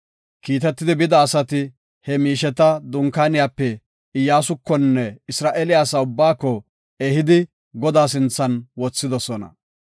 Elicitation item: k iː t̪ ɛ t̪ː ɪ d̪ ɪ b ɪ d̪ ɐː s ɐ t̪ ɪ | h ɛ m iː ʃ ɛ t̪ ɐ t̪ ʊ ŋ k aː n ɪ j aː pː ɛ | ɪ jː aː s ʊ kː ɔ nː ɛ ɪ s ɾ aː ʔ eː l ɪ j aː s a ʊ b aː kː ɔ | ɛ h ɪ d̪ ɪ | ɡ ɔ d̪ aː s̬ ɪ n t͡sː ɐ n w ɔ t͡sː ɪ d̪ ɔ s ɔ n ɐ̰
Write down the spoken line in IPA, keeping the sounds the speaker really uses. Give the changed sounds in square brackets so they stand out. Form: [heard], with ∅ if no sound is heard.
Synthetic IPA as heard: k iː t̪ ɛ t̪ː ɪ d̪ ɪ b ɪ d̪ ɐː s ɐ t̪ ɪ | h ɛ m iː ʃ ɛ t̪ ɐ [d̪] ʊ ŋ k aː n ɪ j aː pː ɛ | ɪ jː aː s ʊ kː ɔ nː ɛ ɪ s ɾ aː ʔ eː l ɪ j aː s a ʊ [bː] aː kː ɔ | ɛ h ɪ d̪ ɪ | ɡ ɔ d̪ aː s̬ ɪ n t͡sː ɐ n w ɔ t͡sː ɪ d̪ ɔ s ɔ n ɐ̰